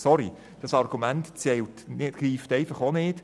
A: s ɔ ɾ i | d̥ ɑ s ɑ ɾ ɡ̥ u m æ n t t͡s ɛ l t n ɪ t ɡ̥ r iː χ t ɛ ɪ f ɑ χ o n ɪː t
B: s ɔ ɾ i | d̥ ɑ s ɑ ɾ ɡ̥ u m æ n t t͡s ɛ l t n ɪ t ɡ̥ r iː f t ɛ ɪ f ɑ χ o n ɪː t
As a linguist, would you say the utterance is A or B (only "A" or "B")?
B